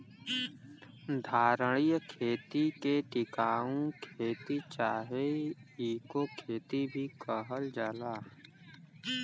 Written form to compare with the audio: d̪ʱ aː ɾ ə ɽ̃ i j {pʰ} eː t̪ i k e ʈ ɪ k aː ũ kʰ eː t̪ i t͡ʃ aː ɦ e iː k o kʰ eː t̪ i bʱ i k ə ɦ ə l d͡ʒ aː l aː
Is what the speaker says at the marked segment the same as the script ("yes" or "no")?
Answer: no